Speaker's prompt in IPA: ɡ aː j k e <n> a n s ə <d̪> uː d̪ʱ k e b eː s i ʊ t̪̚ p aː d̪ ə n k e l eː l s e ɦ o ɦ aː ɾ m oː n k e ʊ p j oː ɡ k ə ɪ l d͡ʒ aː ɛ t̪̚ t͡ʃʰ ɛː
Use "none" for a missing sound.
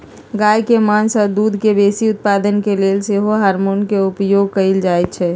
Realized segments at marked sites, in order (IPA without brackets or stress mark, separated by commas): m, d̪